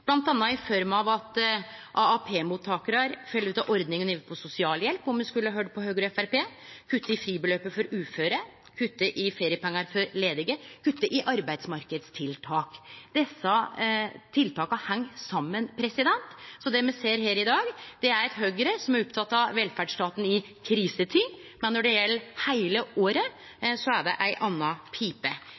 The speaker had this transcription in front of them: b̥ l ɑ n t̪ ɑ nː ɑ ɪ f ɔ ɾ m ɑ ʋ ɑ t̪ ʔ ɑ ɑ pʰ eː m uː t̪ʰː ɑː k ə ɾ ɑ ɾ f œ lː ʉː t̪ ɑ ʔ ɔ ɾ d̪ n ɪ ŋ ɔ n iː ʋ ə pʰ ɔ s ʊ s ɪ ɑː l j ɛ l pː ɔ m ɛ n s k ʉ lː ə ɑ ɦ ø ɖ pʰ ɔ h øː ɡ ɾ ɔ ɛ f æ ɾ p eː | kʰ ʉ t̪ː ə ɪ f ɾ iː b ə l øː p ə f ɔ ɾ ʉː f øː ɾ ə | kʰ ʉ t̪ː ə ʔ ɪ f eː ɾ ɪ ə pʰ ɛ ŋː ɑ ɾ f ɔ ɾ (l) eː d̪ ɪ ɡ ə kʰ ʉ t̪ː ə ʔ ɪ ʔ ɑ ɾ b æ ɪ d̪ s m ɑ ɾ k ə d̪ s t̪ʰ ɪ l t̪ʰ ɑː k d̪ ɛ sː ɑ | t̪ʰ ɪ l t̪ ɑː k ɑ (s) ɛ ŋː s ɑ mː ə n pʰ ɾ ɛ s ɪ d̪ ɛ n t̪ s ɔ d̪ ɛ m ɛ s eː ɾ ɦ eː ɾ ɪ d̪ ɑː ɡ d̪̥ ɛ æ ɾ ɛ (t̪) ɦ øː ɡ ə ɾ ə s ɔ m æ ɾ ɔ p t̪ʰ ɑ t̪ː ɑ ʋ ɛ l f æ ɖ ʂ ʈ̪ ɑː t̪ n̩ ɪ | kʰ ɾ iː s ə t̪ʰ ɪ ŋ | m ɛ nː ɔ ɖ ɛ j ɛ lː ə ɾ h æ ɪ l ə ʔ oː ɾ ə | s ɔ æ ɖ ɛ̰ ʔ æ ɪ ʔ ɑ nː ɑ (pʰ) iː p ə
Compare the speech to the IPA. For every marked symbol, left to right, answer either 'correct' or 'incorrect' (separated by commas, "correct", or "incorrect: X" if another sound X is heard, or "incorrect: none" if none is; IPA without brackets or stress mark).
correct, incorrect: h, correct, correct